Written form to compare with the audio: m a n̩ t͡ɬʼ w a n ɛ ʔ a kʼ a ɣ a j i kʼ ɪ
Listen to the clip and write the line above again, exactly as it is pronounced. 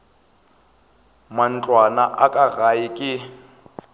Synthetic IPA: m a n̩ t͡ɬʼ w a n a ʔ a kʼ a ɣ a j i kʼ ɪ